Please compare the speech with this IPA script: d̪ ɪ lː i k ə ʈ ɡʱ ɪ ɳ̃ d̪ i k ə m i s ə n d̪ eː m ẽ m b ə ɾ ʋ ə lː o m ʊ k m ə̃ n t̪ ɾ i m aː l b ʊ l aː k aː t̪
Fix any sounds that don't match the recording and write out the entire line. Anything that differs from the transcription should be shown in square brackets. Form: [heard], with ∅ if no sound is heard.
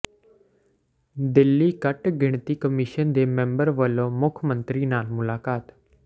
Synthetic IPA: d̪ ɪ lː i k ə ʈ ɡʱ ɪ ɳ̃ [t̪] i k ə m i [ʃ] ə n d̪ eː m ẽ m b ə ɾ ʋ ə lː o m ʊ [kʰ] m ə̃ n t̪ ɾ i [n] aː l [m] ʊ l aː k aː t̪